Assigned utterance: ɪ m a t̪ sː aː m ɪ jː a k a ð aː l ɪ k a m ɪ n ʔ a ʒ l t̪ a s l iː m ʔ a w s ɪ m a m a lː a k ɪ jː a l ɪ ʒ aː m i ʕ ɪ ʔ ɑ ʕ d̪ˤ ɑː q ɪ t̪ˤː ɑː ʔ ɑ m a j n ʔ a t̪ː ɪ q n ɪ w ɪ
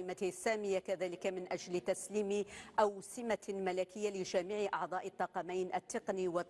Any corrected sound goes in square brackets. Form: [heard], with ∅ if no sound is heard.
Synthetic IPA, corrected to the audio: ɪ m a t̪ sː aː m ɪ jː a k a ð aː l ɪ k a m ɪ n ʔ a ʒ l t̪ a s l iː m ʔ a w s ɪ m a m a [l] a k ɪ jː a l ɪ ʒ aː m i ʕ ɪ ʔ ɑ ʕ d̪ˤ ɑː [ʔ] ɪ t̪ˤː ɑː [q] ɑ m a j n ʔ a t̪ː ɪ q n [i] w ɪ